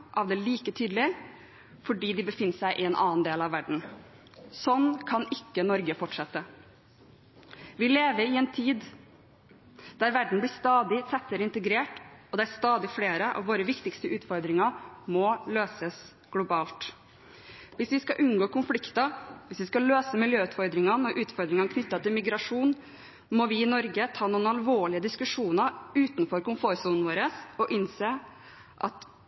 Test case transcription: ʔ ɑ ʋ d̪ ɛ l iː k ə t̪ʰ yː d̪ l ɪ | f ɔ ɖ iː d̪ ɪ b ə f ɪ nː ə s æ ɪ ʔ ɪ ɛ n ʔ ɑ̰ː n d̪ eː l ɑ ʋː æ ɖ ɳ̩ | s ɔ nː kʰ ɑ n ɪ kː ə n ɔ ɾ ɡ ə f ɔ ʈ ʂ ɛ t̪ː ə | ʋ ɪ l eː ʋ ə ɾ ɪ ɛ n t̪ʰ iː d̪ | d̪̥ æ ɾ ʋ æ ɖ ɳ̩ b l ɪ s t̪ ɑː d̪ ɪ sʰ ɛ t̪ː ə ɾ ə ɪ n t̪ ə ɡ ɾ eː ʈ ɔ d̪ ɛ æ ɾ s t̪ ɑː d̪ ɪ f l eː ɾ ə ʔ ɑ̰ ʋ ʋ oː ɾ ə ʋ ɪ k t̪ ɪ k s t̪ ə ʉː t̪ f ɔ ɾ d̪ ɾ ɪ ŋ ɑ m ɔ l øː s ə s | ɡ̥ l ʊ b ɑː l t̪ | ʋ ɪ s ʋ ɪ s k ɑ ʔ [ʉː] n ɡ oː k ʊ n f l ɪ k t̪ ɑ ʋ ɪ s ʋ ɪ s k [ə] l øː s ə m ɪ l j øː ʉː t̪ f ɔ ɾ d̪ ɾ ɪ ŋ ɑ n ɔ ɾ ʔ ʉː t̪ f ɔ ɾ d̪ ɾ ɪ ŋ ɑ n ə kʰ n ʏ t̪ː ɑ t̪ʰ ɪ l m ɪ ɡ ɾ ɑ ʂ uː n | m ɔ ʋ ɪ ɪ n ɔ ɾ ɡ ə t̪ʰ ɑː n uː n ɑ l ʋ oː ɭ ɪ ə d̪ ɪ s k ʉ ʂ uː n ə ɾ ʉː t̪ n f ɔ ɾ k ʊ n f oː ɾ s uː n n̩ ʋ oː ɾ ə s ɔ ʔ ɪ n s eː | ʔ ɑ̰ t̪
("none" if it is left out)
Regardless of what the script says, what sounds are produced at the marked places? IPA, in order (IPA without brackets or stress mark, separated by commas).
ʉ, ɑ